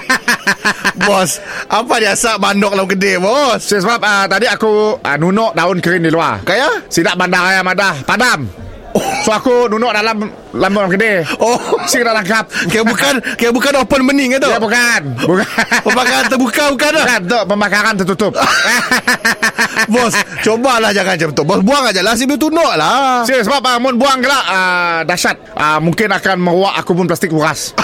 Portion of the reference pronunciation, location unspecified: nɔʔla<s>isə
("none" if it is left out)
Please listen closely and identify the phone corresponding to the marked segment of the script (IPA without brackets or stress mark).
s